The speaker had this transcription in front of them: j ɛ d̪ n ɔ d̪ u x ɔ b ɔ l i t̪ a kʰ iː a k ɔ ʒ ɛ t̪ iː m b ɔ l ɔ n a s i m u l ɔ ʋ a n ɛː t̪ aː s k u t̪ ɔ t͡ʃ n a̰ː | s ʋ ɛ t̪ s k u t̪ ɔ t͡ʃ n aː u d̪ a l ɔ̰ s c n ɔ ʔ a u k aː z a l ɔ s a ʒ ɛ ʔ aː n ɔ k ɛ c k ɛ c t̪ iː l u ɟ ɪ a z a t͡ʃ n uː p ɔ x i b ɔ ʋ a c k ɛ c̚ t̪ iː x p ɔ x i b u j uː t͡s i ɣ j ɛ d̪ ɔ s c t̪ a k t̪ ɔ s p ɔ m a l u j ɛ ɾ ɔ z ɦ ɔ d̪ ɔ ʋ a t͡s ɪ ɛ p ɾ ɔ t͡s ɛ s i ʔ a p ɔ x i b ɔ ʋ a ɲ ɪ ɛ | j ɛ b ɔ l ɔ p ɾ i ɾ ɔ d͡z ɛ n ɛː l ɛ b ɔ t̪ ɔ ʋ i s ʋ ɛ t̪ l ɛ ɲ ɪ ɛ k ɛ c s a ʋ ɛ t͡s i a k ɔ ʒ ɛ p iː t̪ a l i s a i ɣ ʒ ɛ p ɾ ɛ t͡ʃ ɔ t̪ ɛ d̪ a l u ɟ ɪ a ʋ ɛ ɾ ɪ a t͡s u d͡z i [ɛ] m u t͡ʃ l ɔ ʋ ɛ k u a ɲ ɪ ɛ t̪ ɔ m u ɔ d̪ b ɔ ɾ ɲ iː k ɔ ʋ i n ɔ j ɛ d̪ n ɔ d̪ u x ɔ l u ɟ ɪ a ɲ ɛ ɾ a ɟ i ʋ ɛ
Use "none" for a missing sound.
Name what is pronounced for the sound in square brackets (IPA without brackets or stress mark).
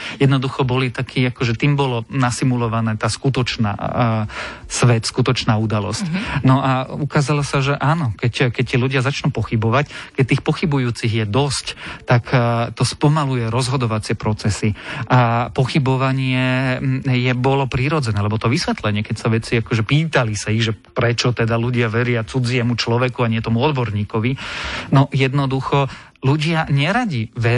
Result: ɛ